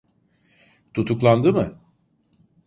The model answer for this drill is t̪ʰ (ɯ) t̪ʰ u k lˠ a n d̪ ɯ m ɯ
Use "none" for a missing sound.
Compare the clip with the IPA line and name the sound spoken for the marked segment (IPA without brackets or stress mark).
u